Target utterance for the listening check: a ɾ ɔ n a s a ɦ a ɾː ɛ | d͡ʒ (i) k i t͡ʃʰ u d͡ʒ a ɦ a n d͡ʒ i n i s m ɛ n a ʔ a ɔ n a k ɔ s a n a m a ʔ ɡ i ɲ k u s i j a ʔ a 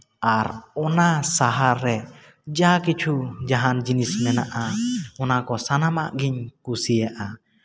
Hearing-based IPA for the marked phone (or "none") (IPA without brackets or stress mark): a